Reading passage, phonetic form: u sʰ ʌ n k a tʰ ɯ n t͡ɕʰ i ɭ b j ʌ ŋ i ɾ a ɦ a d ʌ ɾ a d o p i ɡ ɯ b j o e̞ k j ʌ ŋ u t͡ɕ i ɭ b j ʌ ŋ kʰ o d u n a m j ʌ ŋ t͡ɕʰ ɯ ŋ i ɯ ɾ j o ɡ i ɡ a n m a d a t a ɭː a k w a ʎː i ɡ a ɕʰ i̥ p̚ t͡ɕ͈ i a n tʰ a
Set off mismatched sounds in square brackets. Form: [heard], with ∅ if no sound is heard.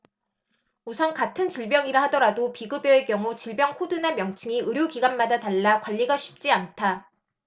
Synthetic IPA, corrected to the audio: u sʰ ʌ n k a tʰ ɯ n [t͡ɕ] i ɭ b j ʌ ŋ i ɾ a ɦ a d ʌ ɾ a d o p i ɡ ɯ b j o e̞ k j ʌ ŋ u t͡ɕ i ɭ b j ʌ ŋ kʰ o d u n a m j ʌ ŋ t͡ɕʰ ɯ ŋ i ɯ ɾ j o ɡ i ɡ a n m a d a t a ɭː a k w a ʎː i ɡ a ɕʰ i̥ p̚ t͡ɕ͈ i a n tʰ a